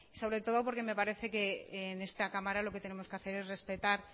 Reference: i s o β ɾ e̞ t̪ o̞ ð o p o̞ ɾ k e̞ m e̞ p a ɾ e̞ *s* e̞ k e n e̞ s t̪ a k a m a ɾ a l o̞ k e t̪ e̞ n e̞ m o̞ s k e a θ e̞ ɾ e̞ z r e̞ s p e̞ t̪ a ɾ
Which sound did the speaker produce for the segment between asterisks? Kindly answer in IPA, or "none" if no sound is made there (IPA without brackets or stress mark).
θ